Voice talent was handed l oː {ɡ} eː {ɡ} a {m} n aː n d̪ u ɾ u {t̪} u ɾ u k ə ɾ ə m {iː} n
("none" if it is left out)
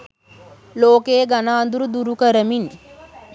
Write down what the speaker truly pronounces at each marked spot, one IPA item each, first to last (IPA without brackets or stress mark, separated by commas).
k, ɡ, none, d̪, i